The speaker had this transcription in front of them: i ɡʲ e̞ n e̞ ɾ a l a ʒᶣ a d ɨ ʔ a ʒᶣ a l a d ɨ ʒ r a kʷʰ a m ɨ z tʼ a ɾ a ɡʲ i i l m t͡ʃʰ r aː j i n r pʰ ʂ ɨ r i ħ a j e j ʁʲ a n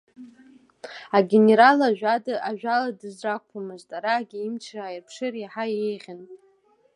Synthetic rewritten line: a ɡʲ e̞ n e̞ ɾ a l a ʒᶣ a d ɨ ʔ a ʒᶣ a l a d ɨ z r a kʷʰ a m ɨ z tʼ a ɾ a ɡʲ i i m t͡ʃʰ r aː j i r pʰ ʂ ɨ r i ħ a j e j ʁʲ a n